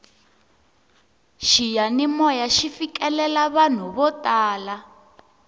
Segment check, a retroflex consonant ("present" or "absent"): absent